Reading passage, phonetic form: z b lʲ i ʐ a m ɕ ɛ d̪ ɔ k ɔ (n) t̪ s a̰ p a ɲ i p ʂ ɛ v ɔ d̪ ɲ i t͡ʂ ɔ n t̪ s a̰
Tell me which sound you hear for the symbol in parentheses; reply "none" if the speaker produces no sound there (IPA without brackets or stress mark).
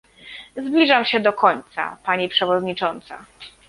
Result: ɲ